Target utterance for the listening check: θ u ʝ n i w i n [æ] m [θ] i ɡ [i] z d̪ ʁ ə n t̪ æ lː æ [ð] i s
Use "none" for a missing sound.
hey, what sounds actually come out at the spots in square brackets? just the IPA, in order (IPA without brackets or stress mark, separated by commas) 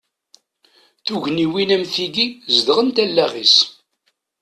æ, θ, i, ʁ